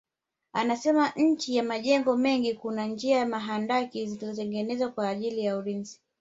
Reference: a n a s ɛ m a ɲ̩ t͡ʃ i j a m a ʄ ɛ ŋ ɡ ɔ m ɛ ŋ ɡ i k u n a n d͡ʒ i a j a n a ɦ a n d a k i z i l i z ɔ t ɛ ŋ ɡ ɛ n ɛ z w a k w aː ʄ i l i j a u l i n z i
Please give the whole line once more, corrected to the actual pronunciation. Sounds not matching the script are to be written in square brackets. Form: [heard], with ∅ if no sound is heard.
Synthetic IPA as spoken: a n a s ɛ m a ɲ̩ t͡ʃ i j a m a ʄ ɛ ŋ ɡ ɔ m ɛ ŋ ɡ i k u n a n d͡ʒ i a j a [m] a ɦ a n d a k i z i l i z ɔ t ɛ ŋ ɡ ɛ n ɛ z w a k w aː ʄ i l i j a u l i n z i